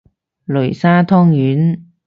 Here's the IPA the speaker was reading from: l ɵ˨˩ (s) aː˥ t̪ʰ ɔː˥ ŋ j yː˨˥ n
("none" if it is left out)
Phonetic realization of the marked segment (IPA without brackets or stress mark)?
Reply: s